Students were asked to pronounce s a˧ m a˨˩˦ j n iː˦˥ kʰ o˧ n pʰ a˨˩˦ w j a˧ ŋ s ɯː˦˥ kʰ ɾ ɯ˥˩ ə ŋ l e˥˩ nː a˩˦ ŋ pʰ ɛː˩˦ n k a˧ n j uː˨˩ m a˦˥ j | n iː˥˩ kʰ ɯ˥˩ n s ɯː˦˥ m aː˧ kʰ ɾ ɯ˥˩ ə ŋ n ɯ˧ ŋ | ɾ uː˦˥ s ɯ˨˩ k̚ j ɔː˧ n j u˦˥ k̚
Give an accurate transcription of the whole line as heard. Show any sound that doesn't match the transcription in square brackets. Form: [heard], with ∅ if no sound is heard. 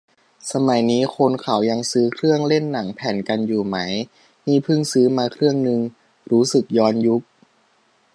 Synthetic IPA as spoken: s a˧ m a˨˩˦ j n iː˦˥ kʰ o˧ n [kʰ] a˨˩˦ w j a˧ ŋ s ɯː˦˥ kʰ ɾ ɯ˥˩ ə ŋ l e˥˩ nː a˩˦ ŋ pʰ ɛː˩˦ n k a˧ n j uː˨˩ m a˦˥ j | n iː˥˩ [pʰ] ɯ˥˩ [ŋ] s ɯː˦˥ m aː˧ kʰ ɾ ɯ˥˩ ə ŋ n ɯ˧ ŋ | ɾ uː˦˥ s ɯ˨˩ k̚ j ɔː˧ n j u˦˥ k̚